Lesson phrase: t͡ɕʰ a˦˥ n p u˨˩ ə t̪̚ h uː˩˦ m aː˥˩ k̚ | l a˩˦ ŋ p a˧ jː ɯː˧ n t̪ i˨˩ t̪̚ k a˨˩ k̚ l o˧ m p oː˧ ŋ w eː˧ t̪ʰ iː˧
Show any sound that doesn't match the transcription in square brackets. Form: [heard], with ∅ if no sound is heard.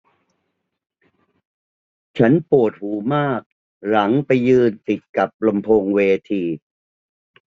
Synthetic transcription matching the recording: t͡ɕʰ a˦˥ n p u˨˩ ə t̪̚ h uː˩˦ m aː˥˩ k̚ | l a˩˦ ŋ p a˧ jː ɯː˧ n t̪ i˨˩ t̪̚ k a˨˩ [p̚] l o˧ m [pʰ] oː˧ ŋ w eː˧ t̪ʰ iː˧

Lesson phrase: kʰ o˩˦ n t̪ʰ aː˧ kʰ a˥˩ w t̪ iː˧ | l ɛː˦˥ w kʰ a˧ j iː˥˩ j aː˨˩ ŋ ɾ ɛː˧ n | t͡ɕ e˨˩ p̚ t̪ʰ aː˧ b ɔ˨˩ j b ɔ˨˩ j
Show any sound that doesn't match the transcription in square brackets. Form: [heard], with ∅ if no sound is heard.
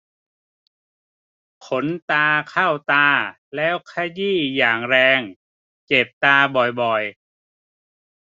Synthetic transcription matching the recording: kʰ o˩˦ n [t̪] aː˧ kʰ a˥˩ w t̪ [aː˧] | l ɛː˦˥ w kʰ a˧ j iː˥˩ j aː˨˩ ŋ ɾ ɛː˧ [ŋ] | t͡ɕ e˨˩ p̚ [t̪] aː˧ b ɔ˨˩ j b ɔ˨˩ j

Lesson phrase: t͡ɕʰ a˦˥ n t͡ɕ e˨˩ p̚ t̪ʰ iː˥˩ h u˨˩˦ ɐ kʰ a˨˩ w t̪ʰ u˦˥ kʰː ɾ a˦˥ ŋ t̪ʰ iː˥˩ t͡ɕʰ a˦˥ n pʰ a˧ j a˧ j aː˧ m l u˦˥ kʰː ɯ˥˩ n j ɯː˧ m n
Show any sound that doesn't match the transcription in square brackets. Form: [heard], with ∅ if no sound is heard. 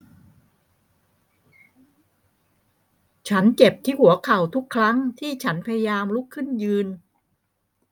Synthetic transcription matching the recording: t͡ɕʰ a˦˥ n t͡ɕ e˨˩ p̚ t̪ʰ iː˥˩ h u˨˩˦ ɐ kʰ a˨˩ w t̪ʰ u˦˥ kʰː ɾ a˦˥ ŋ t̪ʰ iː˥˩ t͡ɕʰ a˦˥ n pʰ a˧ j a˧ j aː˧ m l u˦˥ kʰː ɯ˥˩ n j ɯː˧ [∅] n

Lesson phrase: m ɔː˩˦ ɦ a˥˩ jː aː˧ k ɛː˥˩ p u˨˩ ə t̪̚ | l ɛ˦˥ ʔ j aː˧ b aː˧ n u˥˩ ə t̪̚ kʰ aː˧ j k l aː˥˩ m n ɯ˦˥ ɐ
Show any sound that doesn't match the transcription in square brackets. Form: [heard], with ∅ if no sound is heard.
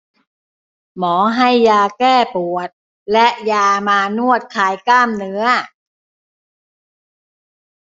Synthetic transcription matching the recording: m ɔː˩˦ ɦ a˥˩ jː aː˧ k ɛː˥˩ p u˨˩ ə t̪̚ | l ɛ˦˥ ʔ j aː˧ [m] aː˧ n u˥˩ ə t̪̚ kʰ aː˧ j k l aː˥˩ m n ɯ˦˥ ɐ

